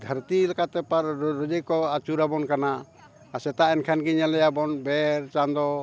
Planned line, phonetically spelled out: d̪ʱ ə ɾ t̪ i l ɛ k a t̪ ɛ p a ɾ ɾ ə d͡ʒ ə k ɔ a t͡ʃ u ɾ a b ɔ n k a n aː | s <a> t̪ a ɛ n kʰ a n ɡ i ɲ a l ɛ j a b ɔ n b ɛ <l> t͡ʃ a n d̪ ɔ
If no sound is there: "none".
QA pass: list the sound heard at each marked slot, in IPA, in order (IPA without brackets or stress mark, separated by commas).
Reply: ɛ, ɾ